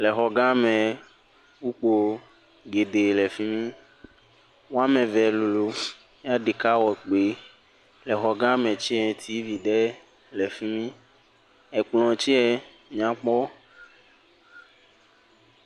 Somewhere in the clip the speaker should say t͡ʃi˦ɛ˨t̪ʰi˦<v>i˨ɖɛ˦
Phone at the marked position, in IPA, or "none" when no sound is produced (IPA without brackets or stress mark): v